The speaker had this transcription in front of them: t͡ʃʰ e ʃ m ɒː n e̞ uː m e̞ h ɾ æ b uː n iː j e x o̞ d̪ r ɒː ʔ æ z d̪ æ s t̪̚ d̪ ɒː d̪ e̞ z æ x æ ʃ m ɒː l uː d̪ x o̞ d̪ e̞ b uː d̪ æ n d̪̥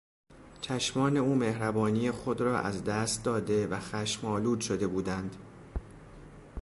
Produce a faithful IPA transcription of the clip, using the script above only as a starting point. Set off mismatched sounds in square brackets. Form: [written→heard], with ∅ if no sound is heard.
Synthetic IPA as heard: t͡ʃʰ [e→æ] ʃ m ɒː n e̞ uː m e̞ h ɾ æ b [uː→ɒː] n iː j e x o̞ d̪ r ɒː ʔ æ z d̪ æ s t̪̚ d̪ ɒː d̪ e̞ [z→v] æ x æ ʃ m ɒː l uː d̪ [x→ʃ] o̞ d̪ e̞ b uː d̪ æ n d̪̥